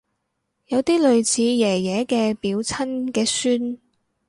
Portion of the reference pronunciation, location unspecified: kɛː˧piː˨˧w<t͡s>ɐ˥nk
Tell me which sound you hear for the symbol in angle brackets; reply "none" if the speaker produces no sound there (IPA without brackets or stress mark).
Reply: t͡sʰ